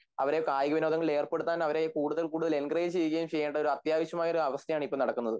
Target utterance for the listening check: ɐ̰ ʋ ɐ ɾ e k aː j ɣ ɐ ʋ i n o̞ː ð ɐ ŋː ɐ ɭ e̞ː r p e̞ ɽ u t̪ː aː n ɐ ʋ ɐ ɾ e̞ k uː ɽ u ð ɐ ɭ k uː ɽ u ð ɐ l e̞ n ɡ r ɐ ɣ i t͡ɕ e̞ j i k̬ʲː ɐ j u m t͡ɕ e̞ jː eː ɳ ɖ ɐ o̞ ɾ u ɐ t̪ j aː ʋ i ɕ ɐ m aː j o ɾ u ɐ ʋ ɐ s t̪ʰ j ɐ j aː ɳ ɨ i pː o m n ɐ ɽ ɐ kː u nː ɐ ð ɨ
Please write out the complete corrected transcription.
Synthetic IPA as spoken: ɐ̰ ʋ ɐ ɾ e k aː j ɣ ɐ ʋ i n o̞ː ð ɐ ŋː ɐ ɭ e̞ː r p e̞ ɽ u t̪ː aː n ɐ ʋ ɐ ɾ e̞ k uː ɽ u ð ɐ ɭ k uː ɽ u ð ɐ l e̞ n ɡ r ɐ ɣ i t͡ɕ e̞ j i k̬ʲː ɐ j u m t͡ɕ e̞ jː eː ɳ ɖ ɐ o̞ ɾ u ɐ t̪ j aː ʋ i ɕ ɐ m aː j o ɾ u ɐ ʋ ɐ s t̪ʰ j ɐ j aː ɳ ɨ i pː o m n ɐ ɽ ɐ kː u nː ɐ ð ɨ